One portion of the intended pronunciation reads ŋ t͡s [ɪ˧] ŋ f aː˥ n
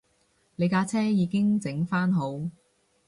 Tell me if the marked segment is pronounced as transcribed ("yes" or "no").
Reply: no